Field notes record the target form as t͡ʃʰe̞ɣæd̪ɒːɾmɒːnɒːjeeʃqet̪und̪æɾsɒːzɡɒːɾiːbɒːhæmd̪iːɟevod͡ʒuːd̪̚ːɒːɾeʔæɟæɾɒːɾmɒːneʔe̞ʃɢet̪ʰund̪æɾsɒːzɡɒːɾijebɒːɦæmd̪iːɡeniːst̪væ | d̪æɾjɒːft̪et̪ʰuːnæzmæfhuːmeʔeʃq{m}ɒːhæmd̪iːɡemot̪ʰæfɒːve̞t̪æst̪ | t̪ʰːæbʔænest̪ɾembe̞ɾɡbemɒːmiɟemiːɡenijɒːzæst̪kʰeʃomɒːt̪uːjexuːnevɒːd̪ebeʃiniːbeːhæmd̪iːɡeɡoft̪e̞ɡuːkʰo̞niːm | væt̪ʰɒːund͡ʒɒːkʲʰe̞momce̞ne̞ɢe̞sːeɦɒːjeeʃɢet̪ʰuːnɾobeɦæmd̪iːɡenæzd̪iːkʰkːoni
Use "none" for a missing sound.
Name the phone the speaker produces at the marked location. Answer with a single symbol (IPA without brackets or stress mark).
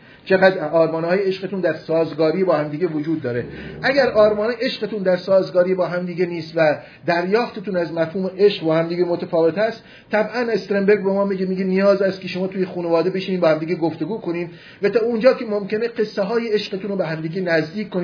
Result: b